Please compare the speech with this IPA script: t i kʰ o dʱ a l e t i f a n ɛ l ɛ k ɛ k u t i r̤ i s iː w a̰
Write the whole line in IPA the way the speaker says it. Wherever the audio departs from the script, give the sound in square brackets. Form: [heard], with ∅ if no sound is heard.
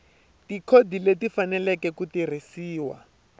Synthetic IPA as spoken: t i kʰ o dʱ [i] l e t i f a n ɛ l ɛ k ɛ k u t i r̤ i s iː w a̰